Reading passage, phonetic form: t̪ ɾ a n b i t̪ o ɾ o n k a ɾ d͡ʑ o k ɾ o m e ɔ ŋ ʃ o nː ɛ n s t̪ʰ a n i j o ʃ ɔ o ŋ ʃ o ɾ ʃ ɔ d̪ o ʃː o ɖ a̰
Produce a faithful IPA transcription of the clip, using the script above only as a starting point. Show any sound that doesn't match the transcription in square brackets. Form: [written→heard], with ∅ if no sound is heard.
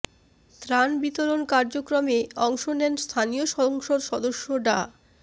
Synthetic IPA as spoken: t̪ ɾ a n b i t̪ o ɾ o n k a ɾ d͡ʑ o k ɾ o m e ɔ ŋ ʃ o [nː→n] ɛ n s t̪ʰ a n i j o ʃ ɔ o ŋ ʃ o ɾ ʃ ɔ d̪ o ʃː o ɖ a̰